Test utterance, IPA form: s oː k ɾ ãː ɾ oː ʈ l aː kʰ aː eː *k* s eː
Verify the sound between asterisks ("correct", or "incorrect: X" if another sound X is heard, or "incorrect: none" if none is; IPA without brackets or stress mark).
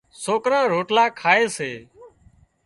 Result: incorrect: none